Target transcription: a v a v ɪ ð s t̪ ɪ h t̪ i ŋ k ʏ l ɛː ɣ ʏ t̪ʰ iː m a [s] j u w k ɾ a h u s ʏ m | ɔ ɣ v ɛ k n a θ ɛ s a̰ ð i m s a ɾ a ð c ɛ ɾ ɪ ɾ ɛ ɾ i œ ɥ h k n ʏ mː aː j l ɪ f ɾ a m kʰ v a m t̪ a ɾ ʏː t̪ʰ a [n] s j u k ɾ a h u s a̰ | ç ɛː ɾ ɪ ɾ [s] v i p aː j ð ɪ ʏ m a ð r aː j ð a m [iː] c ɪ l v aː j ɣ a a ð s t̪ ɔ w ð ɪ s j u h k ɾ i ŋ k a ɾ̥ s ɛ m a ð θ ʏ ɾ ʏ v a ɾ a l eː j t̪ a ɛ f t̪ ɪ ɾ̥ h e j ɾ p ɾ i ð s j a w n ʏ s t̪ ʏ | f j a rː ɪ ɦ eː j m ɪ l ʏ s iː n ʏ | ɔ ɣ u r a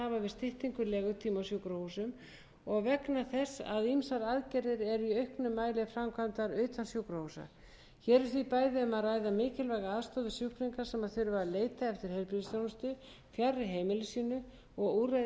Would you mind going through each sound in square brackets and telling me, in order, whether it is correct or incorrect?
correct, correct, incorrect, incorrect

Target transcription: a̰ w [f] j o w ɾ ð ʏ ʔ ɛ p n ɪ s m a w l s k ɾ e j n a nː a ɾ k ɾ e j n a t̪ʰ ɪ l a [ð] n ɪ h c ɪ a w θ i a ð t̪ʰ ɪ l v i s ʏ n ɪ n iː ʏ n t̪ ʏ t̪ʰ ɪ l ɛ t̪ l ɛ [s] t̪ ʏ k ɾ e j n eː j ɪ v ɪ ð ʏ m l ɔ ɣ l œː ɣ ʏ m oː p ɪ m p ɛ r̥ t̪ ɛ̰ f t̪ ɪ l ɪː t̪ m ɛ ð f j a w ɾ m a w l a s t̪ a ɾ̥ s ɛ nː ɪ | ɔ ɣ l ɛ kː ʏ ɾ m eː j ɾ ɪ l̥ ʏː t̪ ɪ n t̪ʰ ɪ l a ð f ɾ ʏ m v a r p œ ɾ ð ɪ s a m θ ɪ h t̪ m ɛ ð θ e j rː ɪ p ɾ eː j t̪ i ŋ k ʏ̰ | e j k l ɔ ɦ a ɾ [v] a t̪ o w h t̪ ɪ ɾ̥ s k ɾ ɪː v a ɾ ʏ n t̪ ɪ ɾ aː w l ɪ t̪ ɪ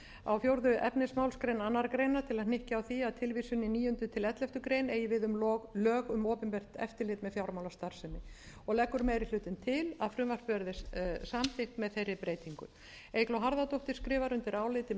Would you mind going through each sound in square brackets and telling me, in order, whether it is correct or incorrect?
correct, correct, incorrect, incorrect

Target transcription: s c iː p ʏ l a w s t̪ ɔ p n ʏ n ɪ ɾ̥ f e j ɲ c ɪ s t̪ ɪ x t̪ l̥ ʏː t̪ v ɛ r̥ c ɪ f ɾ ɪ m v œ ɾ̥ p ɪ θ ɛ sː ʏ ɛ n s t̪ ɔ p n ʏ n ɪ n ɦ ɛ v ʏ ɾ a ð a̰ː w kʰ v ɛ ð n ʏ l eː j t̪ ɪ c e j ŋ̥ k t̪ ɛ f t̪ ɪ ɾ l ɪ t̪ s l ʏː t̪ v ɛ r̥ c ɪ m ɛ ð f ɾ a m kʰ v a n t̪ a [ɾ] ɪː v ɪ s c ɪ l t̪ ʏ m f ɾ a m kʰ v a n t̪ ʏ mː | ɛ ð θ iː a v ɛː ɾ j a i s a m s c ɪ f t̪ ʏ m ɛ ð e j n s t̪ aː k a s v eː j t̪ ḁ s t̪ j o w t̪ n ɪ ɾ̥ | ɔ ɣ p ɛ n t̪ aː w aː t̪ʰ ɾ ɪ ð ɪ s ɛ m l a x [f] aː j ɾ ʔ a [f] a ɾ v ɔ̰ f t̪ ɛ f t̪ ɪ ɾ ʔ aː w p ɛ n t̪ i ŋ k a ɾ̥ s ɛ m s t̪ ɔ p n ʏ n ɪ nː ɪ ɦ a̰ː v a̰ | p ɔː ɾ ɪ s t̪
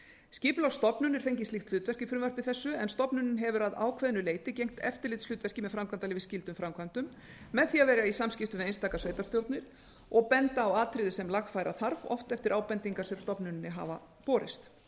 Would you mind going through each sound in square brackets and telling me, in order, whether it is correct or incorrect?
incorrect, correct, incorrect

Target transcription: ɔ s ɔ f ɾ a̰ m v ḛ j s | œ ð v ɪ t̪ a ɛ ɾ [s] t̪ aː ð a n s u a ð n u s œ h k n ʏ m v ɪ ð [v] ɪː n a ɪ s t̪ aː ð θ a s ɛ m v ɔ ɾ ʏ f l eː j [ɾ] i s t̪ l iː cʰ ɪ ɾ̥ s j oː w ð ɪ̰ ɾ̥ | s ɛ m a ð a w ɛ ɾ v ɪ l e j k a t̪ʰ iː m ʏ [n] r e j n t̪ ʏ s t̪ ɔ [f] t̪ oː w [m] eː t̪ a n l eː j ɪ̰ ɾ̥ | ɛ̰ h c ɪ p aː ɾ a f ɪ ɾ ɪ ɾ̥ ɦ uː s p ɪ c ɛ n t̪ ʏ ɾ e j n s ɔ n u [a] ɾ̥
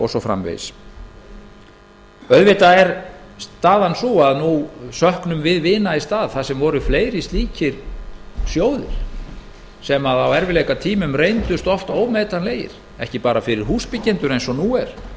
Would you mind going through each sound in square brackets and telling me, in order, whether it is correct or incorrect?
correct, correct, correct, incorrect, correct, correct, incorrect

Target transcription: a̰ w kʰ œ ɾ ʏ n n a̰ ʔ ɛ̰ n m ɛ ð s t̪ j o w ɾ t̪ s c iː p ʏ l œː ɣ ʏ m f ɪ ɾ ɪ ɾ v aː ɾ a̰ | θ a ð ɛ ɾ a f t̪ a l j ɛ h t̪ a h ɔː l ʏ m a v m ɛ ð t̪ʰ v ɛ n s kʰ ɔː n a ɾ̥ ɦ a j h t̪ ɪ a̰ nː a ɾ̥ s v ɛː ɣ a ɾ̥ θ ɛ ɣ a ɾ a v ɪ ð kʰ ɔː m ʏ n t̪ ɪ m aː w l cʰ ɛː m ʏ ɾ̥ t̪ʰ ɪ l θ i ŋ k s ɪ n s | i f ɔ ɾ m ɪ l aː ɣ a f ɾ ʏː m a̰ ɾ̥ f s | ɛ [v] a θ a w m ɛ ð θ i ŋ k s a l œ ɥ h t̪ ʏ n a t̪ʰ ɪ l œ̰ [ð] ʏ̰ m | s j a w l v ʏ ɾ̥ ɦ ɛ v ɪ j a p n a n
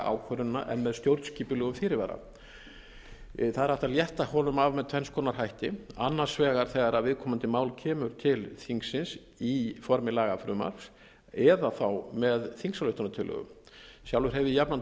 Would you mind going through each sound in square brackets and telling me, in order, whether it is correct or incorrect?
incorrect, incorrect

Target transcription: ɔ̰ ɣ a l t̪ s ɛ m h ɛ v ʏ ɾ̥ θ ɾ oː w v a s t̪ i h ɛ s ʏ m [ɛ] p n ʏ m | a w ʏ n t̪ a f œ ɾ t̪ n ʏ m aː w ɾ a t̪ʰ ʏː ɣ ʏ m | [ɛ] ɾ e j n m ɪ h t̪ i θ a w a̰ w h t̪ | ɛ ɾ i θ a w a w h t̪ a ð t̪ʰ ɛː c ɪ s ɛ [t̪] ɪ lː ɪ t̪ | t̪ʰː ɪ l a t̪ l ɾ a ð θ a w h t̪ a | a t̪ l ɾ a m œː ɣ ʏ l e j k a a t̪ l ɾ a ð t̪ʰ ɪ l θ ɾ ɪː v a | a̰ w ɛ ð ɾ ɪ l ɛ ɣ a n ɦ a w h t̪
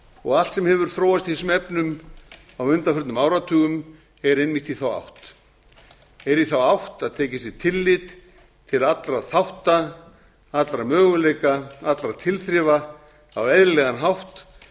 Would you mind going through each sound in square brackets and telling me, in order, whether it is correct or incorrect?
correct, correct, incorrect

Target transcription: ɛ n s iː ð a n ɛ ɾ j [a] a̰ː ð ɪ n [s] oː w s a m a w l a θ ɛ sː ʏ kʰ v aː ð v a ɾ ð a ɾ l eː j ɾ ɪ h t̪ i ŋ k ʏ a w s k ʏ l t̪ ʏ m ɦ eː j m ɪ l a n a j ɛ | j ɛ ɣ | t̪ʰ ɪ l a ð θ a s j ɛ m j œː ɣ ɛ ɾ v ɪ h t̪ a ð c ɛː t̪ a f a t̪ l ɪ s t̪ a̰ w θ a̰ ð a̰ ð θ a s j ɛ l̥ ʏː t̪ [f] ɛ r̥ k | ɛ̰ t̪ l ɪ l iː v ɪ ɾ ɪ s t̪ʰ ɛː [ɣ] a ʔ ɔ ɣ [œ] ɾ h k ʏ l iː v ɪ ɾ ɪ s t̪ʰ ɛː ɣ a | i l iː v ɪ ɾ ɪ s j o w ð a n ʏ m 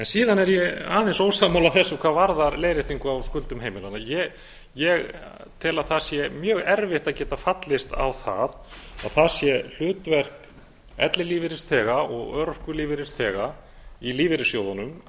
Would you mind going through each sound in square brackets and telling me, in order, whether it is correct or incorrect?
incorrect, correct, incorrect, correct, correct

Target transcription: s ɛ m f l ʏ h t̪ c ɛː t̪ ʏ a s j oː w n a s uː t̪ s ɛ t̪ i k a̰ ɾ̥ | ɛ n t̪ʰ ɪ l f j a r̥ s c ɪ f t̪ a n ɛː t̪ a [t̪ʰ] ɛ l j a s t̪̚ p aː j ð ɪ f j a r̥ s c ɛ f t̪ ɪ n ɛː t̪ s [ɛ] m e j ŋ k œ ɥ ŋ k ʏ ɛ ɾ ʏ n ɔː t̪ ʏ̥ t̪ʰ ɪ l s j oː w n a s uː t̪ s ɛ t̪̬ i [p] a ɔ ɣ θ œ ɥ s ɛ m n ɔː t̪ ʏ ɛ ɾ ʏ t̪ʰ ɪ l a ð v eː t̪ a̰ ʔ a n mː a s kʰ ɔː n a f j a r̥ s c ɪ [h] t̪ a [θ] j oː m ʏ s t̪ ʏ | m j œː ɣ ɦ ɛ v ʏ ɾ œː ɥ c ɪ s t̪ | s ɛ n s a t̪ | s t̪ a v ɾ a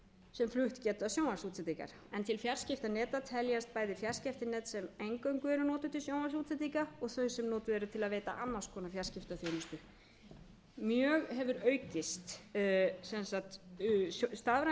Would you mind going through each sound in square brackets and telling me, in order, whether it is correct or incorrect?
correct, correct, incorrect, incorrect, correct

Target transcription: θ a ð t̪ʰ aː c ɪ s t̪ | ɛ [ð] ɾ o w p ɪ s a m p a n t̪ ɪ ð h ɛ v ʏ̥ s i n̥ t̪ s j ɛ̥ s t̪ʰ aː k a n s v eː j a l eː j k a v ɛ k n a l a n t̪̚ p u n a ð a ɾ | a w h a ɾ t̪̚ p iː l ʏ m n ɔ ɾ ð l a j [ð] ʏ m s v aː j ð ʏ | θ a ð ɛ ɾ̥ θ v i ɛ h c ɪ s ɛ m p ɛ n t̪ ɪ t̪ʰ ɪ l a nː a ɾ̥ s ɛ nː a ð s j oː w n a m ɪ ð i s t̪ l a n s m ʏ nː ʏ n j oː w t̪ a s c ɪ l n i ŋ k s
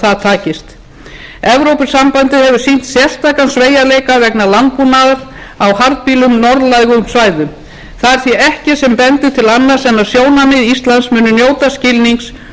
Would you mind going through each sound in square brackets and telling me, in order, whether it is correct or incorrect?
incorrect, incorrect

